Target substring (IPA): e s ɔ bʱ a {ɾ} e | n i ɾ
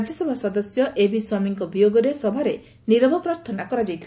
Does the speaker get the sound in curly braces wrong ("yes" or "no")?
no